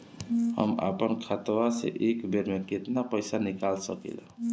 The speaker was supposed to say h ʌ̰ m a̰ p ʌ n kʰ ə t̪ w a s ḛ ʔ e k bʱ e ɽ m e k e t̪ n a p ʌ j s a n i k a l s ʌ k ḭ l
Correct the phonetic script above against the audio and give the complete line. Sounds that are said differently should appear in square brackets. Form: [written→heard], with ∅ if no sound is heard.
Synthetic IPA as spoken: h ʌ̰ m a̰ p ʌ n kʰ [ə→a] t̪ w a s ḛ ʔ e k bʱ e [ɽ→ɾ] m e k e t̪ n a p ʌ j s a n i k a l s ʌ k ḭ l